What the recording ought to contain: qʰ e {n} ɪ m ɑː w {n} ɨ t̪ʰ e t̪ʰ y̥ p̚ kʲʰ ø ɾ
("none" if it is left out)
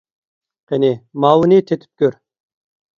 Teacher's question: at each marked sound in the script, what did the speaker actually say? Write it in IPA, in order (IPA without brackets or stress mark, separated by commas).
n, n